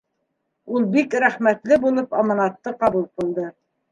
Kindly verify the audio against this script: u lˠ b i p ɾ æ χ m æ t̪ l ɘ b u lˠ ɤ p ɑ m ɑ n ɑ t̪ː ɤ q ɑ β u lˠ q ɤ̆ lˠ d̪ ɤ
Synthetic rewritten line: u lˠ b i k ɾ æ χ m æ t̪ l ɘ b u lˠ ɤ p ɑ m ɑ n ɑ t̪ː ɤ q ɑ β u lˠ q ɤ̆ lˠ d̪ ɤ